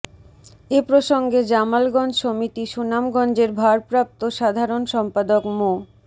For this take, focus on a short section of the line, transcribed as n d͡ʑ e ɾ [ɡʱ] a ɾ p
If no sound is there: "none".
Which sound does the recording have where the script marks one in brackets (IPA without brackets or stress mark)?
bʱ